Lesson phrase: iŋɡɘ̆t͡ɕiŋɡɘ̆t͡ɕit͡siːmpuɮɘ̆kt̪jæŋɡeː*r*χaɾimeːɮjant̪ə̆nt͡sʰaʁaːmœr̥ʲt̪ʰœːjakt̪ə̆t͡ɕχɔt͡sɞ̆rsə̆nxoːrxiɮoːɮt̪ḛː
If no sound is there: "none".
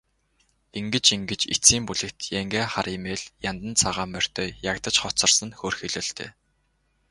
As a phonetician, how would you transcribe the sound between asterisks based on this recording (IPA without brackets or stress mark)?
none